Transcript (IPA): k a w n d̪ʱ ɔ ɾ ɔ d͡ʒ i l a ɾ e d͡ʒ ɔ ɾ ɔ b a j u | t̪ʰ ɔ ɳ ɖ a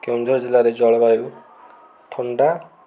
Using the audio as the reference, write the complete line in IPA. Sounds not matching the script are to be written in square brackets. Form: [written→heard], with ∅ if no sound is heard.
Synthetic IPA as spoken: k [a→e] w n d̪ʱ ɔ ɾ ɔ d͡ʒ i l a ɾ e d͡ʒ ɔ [ɾ→ɭ] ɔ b a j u | t̪ʰ ɔ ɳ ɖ a